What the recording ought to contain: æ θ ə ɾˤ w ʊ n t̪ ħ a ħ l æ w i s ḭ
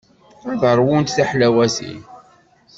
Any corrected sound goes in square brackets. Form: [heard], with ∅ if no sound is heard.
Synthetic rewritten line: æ [ð] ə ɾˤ w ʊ n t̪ [θ] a ħ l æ w [æ] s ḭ